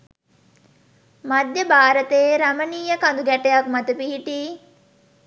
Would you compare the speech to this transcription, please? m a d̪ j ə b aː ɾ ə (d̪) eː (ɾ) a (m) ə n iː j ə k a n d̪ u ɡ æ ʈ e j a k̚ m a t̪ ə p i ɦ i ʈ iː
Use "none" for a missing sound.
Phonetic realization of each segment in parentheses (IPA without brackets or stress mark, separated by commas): t̪, ɾ, m